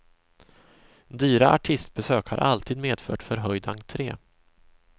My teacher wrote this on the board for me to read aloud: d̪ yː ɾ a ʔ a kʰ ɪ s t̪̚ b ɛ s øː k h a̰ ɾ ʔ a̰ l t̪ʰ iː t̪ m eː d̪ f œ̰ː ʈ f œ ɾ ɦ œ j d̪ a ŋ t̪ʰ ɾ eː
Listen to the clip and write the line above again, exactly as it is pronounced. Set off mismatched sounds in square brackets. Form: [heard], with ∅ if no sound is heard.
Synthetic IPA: d̪ yː ɾ a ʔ a [ʈʰ] ɪ s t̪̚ b ɛ s øː k h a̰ ɾ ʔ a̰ l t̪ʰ iː [d̪] m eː d̪ f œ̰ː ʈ f œ ɾ ɦ œ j d̪ a ŋ t̪ʰ ɾ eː